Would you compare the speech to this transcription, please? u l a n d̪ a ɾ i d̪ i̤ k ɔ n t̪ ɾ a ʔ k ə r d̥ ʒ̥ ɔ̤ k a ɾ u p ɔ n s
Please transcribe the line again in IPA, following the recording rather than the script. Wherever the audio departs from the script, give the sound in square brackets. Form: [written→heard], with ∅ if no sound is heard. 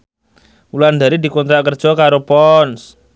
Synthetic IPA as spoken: u l a n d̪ a ɾ i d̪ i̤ k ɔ n t̪ ɾ a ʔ k ə r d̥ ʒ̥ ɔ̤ k a ɾ [u→o] p ɔ n s